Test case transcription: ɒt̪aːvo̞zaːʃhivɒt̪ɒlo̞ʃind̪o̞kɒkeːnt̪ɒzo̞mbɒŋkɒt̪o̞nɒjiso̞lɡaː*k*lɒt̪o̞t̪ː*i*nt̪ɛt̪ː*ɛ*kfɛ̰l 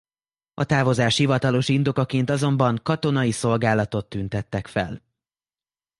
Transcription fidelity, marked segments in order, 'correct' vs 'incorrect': incorrect: none, incorrect: y, correct

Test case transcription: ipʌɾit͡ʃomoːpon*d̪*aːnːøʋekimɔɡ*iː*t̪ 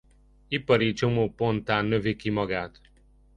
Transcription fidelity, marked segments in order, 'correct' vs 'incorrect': incorrect: t̪, incorrect: aː

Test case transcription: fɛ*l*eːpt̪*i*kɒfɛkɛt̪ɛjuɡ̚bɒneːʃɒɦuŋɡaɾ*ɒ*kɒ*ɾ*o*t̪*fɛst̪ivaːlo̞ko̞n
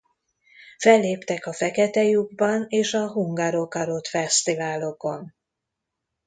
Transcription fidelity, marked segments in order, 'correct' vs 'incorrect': incorrect: lː, incorrect: ɛ, incorrect: o, correct, correct

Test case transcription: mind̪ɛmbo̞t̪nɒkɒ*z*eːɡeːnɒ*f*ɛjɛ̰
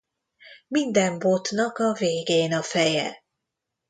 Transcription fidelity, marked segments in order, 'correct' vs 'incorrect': incorrect: v, correct

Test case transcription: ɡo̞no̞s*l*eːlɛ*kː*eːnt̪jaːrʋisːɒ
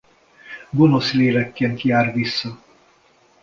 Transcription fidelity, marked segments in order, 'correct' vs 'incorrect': correct, correct

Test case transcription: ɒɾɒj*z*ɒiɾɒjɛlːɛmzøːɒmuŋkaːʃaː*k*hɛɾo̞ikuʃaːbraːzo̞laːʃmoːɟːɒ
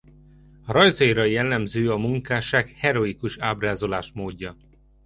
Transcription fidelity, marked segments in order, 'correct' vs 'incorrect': correct, correct

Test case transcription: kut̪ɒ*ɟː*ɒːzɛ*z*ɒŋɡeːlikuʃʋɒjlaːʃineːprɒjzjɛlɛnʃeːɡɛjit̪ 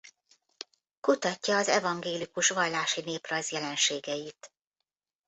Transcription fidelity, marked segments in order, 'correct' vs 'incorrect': incorrect: cː, incorrect: v

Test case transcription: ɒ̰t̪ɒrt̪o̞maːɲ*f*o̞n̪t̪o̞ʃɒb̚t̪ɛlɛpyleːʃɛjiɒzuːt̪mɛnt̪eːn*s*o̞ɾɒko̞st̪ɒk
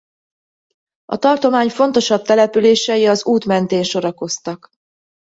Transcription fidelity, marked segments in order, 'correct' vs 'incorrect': correct, incorrect: ʃ

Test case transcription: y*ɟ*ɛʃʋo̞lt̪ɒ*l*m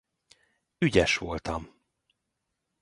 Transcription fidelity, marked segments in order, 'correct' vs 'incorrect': correct, incorrect: none

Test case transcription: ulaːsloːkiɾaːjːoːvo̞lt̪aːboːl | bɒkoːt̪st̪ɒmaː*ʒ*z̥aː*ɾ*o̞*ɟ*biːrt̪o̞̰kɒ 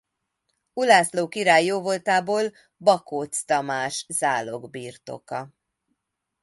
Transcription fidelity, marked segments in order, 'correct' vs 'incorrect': incorrect: ʃ, incorrect: l, incorrect: ɡ

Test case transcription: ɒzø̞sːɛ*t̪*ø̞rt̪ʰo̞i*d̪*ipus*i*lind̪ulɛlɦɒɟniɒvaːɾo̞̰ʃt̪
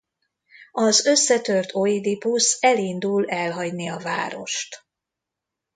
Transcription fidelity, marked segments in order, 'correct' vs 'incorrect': correct, correct, incorrect: ɛ

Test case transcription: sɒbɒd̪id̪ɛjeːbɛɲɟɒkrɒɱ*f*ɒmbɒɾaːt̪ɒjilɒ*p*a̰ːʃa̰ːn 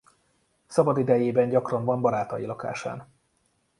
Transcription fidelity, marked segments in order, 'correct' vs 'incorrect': incorrect: v, incorrect: k

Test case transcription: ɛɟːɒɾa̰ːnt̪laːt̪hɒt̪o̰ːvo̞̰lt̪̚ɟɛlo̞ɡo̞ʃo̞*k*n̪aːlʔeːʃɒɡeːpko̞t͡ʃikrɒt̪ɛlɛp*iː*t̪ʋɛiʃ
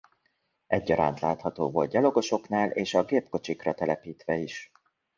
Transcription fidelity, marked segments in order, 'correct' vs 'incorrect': correct, correct

